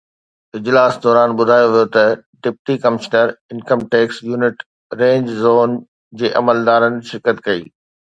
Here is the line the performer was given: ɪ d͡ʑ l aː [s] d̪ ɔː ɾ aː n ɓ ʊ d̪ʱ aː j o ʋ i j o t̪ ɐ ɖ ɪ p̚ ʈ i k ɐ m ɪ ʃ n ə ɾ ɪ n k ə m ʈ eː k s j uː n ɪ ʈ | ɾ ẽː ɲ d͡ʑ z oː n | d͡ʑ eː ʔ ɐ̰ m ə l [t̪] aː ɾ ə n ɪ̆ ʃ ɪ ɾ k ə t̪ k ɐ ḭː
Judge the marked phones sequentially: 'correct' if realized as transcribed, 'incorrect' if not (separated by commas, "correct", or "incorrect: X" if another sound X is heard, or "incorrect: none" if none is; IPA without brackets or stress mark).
correct, incorrect: d̪